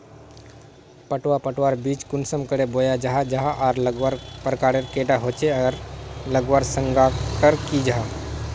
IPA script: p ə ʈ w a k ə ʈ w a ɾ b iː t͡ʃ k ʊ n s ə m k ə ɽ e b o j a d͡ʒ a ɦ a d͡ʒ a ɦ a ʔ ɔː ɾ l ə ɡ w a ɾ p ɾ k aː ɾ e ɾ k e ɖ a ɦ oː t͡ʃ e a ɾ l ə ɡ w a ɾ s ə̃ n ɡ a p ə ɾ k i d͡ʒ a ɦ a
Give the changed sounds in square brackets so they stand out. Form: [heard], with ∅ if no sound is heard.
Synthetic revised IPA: p ə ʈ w a [p] ə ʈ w a ɾ b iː t͡ʃ k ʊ n s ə m k ə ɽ e b o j a d͡ʒ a ɦ a d͡ʒ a ɦ a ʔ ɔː ɾ l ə ɡ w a ɾ p ɾ k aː ɾ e ɾ k e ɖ a ɦ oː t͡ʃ e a ɾ l ə ɡ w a ɾ s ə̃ [ŋ] ɡ a [k] ə ɾ k i d͡ʒ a ɦ a